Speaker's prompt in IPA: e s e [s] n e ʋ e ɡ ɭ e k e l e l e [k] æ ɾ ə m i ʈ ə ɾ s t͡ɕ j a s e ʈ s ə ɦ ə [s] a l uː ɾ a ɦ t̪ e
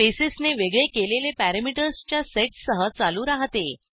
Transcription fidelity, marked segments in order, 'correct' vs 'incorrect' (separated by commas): correct, incorrect, incorrect